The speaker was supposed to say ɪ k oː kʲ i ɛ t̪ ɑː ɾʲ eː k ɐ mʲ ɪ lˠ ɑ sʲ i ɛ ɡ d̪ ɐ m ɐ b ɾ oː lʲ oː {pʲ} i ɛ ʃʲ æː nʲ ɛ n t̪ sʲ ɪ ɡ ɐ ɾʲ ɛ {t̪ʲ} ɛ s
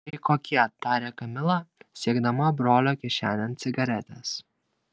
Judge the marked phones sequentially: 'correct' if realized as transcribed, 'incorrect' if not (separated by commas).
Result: incorrect, correct